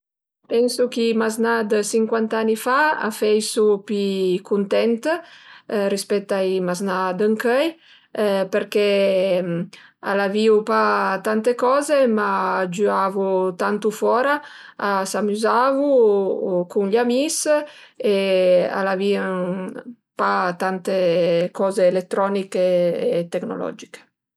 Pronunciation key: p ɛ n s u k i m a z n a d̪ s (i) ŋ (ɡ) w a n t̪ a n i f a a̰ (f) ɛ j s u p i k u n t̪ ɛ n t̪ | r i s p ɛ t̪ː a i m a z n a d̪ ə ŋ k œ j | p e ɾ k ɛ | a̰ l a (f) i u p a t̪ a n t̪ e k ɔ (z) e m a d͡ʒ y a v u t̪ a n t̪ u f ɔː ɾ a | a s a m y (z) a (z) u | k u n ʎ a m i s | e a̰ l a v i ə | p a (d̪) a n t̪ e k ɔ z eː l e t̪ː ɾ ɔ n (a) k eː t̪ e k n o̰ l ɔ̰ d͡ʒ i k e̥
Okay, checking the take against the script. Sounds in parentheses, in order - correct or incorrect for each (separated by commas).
correct, incorrect, correct, incorrect, correct, correct, incorrect, incorrect, incorrect